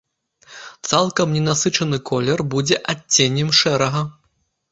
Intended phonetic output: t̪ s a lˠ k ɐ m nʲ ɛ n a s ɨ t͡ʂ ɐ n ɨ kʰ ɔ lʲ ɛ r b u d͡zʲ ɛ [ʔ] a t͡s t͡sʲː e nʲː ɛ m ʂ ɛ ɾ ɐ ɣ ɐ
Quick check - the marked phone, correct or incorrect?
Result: correct